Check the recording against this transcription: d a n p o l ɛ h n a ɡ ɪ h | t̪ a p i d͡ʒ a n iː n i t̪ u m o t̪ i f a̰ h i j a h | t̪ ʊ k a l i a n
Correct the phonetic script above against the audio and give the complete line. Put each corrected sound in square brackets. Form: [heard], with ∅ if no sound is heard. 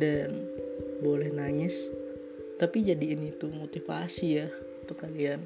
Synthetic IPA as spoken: d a n [b] o l ɛ h n a [ŋ] ɪ [s] | t̪ a p i d͡ʒ a [d] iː n i t̪ u m o t̪ i f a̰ [s] i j a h | t̪ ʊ k a l i a n